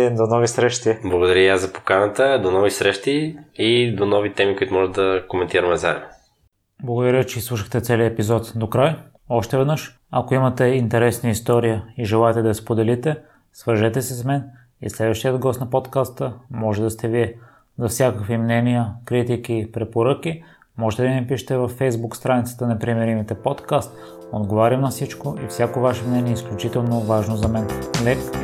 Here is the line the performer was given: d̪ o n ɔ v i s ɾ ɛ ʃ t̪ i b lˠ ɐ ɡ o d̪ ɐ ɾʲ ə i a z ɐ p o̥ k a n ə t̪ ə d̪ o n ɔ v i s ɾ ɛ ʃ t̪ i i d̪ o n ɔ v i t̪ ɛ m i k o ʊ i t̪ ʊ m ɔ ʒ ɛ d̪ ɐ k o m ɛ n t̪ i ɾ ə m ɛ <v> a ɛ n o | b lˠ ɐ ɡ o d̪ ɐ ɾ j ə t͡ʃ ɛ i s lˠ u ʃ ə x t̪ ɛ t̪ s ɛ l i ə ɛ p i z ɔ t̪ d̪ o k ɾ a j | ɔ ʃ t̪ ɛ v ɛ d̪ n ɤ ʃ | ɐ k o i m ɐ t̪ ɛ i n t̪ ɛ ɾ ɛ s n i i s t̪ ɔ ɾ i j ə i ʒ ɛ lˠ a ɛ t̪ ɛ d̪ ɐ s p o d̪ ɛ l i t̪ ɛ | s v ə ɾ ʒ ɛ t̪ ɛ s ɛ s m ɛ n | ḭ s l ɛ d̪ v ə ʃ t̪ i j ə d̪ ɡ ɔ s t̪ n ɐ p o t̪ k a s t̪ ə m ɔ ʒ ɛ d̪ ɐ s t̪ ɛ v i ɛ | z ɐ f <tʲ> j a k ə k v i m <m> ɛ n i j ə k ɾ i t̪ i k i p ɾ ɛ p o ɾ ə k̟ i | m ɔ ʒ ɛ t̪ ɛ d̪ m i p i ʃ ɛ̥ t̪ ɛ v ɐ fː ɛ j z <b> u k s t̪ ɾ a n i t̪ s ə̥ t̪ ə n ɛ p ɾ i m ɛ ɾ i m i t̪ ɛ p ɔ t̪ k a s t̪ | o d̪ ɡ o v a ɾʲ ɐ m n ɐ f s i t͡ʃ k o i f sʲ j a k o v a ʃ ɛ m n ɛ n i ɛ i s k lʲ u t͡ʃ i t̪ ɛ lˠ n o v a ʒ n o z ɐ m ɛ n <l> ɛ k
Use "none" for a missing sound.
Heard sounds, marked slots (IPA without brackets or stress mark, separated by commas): z, sʲ, n, b, l